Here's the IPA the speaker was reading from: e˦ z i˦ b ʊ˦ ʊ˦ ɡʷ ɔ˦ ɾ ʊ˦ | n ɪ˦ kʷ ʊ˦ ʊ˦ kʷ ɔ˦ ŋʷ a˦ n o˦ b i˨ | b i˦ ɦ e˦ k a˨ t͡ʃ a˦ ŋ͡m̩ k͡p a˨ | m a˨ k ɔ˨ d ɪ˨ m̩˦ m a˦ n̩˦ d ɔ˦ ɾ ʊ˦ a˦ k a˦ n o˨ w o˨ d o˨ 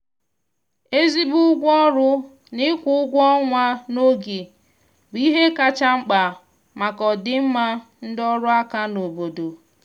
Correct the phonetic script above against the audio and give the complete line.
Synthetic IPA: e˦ z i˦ b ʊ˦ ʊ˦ ɡʷ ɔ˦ ɾ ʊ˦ | n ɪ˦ kʷ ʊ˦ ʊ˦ ɡʷ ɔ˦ ŋʷ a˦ n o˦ ɡ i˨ | b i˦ ɦ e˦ k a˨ t͡ʃ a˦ ŋ͡m̩ k͡p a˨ | m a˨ k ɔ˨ d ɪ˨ m̩˦ m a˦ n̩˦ d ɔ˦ ɾ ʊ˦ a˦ k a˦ n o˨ b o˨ d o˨

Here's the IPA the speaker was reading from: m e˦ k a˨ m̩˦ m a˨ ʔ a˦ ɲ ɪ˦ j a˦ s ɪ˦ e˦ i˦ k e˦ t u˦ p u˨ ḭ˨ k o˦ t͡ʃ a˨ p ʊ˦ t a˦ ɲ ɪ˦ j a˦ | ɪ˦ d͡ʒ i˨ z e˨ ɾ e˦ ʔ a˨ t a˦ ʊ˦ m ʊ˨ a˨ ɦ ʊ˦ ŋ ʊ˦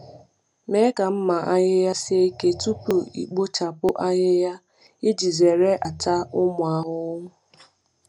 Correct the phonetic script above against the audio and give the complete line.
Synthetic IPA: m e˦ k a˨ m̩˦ m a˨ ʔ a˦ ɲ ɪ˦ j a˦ s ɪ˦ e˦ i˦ k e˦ t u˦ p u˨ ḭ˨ k͡p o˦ t͡ʃ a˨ p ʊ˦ ʔ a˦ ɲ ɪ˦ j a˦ | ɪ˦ d͡ʒ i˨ z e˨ ɾ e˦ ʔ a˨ t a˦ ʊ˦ m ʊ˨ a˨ ɦ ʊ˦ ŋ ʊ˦

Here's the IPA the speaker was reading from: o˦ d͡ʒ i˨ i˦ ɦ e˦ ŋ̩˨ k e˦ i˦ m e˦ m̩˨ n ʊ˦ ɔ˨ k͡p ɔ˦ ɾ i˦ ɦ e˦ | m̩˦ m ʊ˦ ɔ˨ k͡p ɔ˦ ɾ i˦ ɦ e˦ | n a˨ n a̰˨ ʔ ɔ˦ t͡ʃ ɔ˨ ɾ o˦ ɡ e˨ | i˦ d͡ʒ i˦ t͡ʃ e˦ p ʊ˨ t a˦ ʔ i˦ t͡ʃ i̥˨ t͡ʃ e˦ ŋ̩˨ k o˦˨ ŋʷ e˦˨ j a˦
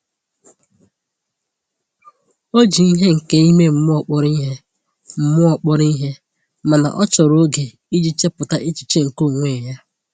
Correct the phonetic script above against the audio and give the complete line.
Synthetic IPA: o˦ d͡ʒ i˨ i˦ ɦ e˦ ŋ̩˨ k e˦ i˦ m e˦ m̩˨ m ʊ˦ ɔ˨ k͡p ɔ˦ ɾ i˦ ɦ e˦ | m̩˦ m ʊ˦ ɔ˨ k͡p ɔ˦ ɾ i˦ ɦ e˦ | m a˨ n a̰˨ ʔ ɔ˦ t͡ʃ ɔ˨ ɾ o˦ ɡ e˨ | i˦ d͡ʒ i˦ t͡ʃ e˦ p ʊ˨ t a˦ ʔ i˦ t͡ʃ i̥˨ t͡ʃ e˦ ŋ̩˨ k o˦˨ ŋʷ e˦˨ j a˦

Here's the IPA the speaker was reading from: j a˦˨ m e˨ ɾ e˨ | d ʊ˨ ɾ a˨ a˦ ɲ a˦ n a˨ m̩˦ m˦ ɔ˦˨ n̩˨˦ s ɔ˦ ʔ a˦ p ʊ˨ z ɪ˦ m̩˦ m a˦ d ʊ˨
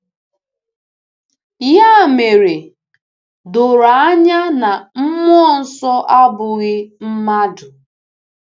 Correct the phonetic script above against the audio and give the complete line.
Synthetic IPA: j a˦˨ m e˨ ɾ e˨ | d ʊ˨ ɾ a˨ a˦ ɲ a˦ n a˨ m̩˦ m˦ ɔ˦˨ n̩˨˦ s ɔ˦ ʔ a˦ b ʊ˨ ɣ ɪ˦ m̩˦ m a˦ d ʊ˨

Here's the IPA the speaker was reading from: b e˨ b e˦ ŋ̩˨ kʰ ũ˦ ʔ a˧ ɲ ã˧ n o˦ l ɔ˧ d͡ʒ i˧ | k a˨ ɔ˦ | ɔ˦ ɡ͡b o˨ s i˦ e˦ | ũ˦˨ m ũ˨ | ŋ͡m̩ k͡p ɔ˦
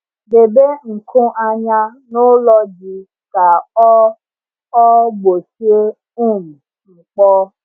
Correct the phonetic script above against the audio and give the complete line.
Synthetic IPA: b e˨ b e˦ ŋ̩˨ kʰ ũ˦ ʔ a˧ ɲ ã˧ n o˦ l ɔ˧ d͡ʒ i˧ | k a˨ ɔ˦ | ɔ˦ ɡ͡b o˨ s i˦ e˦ | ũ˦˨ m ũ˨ | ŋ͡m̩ k͡p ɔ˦

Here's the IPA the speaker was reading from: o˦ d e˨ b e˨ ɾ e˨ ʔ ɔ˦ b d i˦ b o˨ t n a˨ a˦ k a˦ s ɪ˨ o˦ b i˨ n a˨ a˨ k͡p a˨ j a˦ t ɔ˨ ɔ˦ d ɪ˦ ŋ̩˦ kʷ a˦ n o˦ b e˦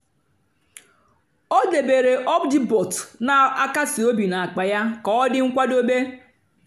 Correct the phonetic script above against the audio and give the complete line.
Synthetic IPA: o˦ d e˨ b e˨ ɾ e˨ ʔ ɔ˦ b d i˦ b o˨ t n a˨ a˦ k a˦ s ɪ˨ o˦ b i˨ n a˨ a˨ k͡p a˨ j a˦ k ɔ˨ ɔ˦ d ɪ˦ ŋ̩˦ kʷ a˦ d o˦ b e˦

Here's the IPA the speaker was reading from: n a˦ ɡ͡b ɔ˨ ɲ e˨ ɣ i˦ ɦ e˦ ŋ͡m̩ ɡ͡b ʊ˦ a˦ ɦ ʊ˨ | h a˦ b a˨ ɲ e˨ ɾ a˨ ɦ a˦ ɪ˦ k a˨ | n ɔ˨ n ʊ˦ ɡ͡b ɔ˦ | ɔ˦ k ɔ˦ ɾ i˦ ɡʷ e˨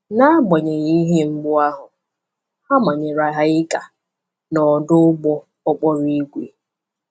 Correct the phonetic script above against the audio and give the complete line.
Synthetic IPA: n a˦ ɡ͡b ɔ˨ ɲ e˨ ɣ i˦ ɦ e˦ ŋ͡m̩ ɡ͡b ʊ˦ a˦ ɦ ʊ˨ | h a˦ m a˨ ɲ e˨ ɾ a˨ ɦ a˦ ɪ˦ k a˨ | n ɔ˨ d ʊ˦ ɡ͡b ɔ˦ | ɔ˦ k͡p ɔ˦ ɾ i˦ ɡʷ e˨

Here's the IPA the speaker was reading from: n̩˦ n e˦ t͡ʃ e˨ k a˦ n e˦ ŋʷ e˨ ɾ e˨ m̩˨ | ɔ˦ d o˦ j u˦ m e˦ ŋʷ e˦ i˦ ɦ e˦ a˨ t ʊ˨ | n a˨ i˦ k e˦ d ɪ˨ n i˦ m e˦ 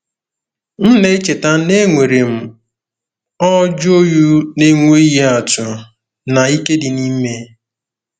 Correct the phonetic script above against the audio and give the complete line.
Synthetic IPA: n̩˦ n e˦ t͡ʃ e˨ t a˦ n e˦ ŋʷ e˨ ɾ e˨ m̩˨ | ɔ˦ d͡ʒ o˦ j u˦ n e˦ ŋʷ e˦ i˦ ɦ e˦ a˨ t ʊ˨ | n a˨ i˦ k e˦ d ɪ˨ n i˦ m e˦

